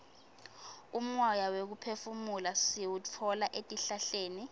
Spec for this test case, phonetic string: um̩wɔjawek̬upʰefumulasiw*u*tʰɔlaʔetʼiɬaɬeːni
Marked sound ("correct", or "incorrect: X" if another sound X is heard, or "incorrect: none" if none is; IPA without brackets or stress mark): correct